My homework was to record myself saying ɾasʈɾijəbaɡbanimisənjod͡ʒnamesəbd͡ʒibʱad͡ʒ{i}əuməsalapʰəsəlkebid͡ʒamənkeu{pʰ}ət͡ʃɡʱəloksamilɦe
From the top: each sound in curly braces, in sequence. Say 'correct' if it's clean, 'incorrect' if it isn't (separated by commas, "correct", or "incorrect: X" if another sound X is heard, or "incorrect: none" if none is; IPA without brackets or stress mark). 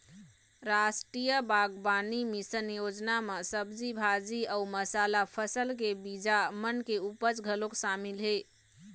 correct, incorrect: p